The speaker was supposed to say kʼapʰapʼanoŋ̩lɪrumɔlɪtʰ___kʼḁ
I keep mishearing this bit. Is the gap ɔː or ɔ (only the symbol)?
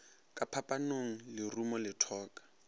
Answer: ɔː